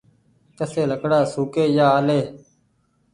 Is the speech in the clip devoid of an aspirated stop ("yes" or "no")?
yes